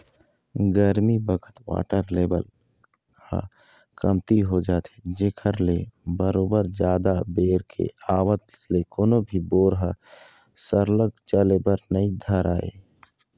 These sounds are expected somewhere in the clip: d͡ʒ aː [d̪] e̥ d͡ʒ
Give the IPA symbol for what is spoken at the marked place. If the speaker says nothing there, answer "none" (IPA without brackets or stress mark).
t̪